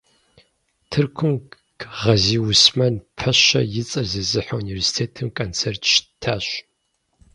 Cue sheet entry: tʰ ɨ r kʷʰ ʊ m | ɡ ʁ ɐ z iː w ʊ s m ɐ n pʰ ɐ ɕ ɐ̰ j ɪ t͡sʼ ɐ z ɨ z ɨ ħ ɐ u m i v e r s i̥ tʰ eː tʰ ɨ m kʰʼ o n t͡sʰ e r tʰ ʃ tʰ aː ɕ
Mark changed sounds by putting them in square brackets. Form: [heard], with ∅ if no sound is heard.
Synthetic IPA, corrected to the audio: tʰ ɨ r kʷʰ ʊ m | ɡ ʁ ɐ z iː w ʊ s m ɐ n pʰ ɐ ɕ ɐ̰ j ɪ t͡sʼ ɐ z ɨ z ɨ ħ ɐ u [n] i v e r s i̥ tʰ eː tʰ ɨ m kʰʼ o n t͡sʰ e r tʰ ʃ tʰ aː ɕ

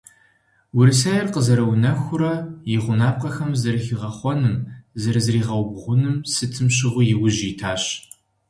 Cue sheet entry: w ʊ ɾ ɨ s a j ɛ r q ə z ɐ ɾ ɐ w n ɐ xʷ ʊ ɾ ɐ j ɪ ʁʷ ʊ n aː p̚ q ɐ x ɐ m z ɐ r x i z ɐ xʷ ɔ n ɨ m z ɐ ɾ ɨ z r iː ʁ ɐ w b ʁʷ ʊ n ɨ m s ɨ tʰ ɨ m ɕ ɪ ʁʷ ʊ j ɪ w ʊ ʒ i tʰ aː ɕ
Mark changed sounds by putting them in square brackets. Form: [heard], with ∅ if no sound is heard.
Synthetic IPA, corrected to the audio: w ʊ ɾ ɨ s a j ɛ r q ə z ɐ ɾ ɐ w n ɐ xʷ ʊ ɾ ɐ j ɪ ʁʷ ʊ n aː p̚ q ɐ x ɐ m z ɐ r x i [ʁ] ɐ [χʷ] ɔ n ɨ m z ɐ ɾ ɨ z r iː ʁ ɐ w b ʁʷ ʊ n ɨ m s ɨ tʰ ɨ m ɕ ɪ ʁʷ ʊ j ɪ w ʊ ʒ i tʰ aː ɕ

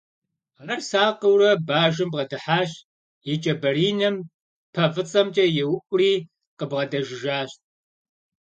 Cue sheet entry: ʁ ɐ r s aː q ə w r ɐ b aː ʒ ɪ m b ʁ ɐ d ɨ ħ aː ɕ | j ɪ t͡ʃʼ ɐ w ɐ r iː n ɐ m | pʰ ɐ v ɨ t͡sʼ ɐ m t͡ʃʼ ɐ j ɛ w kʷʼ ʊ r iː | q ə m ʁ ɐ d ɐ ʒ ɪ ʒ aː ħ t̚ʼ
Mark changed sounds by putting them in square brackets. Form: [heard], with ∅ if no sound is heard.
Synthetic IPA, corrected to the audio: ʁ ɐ r s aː q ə w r ɐ b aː ʒ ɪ m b ʁ ɐ d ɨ ħ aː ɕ | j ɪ t͡ʃʼ ɐ [b] ɐ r iː n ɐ m | pʰ ɐ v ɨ t͡sʼ ɐ m t͡ʃʼ ɐ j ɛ w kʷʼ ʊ r iː | q ə [b] ʁ ɐ d ɐ ʒ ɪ ʒ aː [ɕ] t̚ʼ

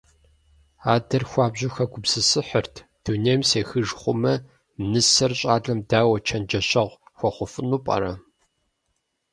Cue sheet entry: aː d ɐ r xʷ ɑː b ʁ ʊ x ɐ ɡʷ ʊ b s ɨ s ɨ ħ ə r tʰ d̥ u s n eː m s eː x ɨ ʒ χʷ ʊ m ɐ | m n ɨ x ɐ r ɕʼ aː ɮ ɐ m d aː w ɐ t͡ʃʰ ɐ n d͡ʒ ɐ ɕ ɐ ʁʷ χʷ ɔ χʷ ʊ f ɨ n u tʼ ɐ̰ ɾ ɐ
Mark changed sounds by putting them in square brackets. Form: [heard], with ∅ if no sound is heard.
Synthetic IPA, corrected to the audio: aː d ɐ r xʷ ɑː b [ʑ] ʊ x ɐ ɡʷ ʊ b s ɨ s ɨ ħ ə r tʰ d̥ u [∅] n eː m s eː x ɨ ʒ χʷ ʊ m ɐ | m n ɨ [s] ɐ r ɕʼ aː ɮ ɐ m d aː w ɐ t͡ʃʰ ɐ n d͡ʒ ɐ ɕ ɐ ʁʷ [xʷ] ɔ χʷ ʊ f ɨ n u [pʼ] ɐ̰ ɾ ɐ

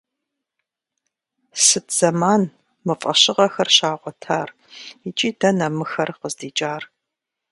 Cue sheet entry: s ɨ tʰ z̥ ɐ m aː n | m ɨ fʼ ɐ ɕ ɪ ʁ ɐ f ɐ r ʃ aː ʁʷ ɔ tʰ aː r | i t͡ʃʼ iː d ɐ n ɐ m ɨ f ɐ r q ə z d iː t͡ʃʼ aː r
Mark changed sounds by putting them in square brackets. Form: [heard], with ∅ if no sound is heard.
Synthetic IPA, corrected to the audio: s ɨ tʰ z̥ ɐ m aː n | m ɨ fʼ ɐ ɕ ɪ ʁ ɐ [x] ɐ r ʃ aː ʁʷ ɔ tʰ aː r | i t͡ʃʼ iː d ɐ n ɐ m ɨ [x] ɐ r q ə z d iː t͡ʃʼ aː r

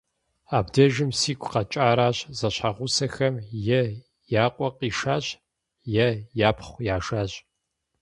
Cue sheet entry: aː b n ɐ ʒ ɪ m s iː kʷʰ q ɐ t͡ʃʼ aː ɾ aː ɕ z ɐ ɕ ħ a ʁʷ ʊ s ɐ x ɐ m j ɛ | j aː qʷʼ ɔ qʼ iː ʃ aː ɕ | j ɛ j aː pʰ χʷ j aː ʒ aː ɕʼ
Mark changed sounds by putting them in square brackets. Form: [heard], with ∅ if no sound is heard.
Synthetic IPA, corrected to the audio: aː b [d] ɐ ʒ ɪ m s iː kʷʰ q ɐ t͡ʃʼ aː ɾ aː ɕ z ɐ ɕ ħ a ʁʷ ʊ s ɐ x ɐ m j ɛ | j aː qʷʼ ɔ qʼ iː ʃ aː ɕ | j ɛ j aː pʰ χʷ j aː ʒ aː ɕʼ

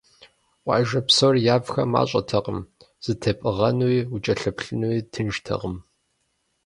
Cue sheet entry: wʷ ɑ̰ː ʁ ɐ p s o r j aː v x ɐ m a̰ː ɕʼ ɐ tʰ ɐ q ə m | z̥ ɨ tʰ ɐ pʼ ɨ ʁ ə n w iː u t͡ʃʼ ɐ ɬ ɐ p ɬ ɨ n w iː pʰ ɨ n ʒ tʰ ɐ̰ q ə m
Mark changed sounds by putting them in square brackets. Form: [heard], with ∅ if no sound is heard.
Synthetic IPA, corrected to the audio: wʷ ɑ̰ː [ʒ] ɐ p s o r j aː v x ɐ m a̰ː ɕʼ ɐ tʰ ɐ q ə m | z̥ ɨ tʰ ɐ pʼ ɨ ʁ [ɐ] n w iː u t͡ʃʼ ɐ ɬ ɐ p ɬ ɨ n w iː [tʰ] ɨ n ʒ tʰ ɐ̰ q ə m

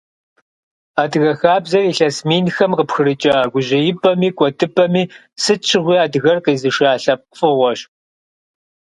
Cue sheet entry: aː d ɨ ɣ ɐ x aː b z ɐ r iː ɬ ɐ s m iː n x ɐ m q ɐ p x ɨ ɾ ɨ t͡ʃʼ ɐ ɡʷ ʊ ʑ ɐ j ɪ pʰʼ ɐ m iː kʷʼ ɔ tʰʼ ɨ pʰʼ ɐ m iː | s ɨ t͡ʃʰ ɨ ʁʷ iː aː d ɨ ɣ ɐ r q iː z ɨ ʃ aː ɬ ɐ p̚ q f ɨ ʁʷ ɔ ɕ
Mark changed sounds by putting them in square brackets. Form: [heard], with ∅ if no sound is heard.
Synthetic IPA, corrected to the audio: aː d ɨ ɣ ɐ x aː b z ɐ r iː ɬ ɐ s m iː n x ɐ m q [ə] p x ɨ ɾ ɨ t͡ʃʼ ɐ ɡʷ ʊ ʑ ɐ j ɪ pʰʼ ɐ m iː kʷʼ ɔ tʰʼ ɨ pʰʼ ɐ m iː | s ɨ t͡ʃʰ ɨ ʁʷ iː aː d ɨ ɣ ɐ r q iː z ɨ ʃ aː ɬ ɐ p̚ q f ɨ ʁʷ ɔ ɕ

